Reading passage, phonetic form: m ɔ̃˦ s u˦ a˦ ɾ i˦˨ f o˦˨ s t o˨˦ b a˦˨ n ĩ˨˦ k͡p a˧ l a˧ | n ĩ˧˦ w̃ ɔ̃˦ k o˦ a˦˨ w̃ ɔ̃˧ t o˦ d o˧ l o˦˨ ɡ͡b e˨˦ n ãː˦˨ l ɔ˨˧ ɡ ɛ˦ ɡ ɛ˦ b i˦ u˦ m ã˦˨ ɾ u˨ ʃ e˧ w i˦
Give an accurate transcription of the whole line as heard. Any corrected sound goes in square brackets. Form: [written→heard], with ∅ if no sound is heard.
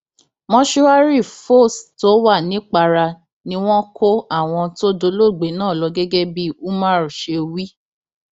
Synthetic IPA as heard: m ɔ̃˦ [s→ʃ] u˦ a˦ ɾ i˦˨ f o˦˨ s t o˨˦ [b→w] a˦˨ n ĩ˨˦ k͡p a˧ [l→ɾ] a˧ | n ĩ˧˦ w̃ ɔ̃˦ k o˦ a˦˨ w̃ ɔ̃˧ t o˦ d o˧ l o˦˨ ɡ͡b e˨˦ n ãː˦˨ l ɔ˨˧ ɡ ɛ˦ ɡ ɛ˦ b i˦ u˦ m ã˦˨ ɾ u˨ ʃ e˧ w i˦